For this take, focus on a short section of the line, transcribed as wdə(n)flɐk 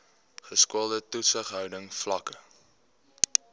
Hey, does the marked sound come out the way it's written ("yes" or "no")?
no